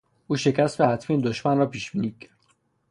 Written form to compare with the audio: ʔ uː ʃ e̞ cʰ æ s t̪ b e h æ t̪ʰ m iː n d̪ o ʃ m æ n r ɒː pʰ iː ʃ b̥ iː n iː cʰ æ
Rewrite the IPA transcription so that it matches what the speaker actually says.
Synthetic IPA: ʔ uː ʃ e̞ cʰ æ s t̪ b e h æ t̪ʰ m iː n d̪ o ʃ m æ n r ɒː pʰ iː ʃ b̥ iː n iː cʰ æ